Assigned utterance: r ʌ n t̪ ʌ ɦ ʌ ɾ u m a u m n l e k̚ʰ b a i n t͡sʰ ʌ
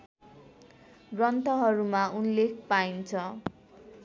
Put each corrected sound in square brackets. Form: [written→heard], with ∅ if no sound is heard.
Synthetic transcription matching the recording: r ʌ n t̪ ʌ ɦ ʌ ɾ u m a u [m→∅] n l e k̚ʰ [b→p] a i n t͡sʰ ʌ